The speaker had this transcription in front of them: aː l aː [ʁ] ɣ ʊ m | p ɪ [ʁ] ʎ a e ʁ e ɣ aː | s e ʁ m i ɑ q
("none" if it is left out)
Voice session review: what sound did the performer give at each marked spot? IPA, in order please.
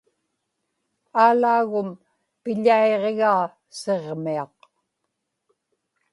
none, none

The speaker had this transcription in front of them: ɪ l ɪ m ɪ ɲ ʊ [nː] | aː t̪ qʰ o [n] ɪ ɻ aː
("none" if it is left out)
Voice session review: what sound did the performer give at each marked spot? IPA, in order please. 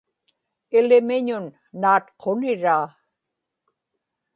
nː, n

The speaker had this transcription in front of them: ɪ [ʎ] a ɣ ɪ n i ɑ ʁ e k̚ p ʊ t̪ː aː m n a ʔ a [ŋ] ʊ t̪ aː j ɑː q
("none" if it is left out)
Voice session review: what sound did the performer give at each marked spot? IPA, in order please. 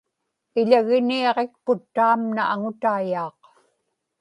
ʎ, ŋ

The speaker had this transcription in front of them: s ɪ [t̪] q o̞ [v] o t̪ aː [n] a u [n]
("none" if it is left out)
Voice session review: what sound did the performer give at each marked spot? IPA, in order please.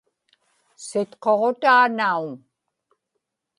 t̪, ʁ, n, ŋ

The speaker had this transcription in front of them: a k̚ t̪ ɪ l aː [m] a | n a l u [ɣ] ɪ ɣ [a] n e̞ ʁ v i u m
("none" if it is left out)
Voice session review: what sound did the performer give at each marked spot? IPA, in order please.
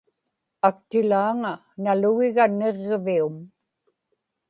ŋ, ɣ, a

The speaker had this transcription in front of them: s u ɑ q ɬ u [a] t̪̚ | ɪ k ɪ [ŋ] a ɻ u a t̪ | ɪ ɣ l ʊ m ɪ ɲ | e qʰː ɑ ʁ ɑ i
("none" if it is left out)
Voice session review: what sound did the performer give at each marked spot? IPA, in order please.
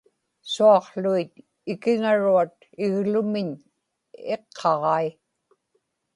i, ŋ

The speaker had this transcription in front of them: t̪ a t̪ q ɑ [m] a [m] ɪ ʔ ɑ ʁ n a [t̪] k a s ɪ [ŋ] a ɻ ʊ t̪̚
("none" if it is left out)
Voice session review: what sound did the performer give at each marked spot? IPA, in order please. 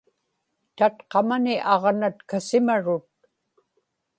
m, n, t̪, m

